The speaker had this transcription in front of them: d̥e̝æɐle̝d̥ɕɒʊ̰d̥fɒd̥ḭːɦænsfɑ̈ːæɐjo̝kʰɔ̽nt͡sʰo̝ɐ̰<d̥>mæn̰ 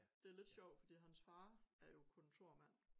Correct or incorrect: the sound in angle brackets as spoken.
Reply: incorrect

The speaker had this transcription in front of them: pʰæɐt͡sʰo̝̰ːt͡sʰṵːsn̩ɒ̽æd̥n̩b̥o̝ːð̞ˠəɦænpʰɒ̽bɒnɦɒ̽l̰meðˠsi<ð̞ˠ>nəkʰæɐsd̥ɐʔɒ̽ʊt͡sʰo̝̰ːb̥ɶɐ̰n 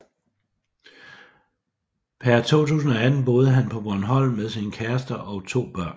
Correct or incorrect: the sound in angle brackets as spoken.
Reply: incorrect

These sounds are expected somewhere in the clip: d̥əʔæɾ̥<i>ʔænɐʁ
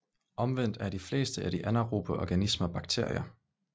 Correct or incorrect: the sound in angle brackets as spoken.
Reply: correct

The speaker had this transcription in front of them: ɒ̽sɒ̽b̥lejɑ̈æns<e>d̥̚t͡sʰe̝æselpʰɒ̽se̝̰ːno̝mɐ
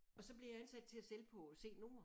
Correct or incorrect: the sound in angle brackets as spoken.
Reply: incorrect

